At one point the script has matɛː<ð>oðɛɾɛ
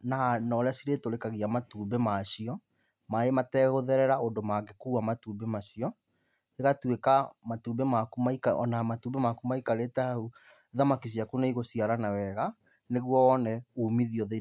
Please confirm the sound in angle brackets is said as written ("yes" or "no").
no